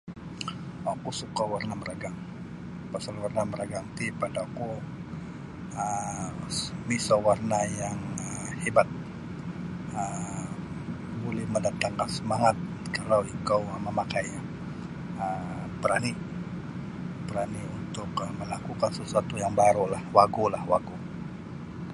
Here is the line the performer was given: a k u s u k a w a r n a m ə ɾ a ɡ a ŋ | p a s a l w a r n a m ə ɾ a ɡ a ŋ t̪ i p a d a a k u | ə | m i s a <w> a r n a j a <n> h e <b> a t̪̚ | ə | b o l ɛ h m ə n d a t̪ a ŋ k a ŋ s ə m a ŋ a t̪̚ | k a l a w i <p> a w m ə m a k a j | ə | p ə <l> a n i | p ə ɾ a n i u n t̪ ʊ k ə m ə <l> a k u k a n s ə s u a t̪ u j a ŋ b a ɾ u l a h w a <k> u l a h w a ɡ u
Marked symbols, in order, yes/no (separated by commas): yes, no, yes, no, no, yes, no